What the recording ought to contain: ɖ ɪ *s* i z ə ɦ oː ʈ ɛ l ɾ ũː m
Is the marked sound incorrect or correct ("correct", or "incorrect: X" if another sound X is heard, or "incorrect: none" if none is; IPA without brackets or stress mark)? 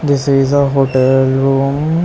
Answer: correct